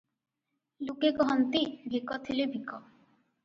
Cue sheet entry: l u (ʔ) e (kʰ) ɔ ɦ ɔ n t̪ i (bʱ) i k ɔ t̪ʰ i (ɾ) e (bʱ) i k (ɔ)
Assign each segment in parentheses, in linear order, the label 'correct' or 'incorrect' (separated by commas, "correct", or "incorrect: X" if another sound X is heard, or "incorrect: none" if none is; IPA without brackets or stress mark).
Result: incorrect: k, incorrect: k, correct, incorrect: l, correct, correct